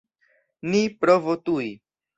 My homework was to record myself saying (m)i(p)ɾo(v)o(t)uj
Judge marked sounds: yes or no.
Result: no, yes, yes, yes

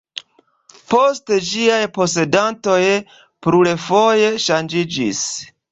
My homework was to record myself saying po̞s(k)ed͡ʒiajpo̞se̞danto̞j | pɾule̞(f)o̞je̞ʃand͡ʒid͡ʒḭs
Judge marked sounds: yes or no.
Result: no, yes

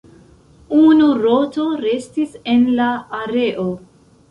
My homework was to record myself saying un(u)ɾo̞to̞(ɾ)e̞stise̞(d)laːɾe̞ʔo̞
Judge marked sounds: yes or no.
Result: yes, yes, no

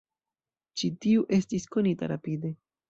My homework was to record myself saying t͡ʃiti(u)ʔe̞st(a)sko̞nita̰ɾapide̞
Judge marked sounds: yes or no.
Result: yes, no

